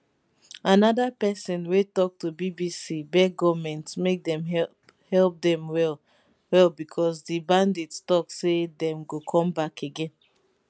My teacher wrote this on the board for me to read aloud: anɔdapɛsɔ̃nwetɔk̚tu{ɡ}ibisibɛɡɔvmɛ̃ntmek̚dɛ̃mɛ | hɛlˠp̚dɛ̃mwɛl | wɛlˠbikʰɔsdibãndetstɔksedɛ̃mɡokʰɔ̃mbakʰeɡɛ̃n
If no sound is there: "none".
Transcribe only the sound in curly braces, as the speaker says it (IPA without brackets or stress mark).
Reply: b